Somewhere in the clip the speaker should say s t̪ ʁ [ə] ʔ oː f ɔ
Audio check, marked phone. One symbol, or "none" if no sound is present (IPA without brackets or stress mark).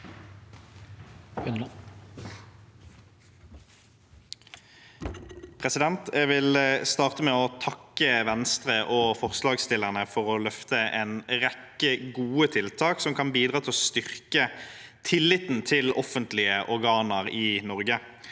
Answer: ə